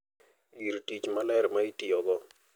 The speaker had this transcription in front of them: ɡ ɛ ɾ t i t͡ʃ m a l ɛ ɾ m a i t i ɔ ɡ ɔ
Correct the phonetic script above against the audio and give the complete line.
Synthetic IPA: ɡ i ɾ t i t͡ʃ m a l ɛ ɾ m a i t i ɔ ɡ ɔ